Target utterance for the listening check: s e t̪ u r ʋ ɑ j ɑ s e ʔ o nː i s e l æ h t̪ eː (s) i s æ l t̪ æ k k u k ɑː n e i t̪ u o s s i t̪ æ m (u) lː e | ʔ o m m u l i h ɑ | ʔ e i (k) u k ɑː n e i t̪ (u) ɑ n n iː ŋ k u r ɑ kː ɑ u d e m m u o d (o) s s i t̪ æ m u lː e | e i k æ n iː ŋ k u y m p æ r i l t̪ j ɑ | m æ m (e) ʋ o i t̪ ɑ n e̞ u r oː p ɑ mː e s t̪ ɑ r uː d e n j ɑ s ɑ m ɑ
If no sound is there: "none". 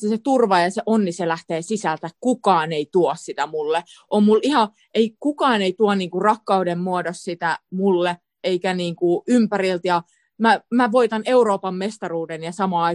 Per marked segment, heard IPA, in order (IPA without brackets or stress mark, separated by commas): s, u, k, u, o, æ